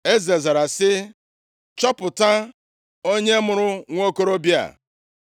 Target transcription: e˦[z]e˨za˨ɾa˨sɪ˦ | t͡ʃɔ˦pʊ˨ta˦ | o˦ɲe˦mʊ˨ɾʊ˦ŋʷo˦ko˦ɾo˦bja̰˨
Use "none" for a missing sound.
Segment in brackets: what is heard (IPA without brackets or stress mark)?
z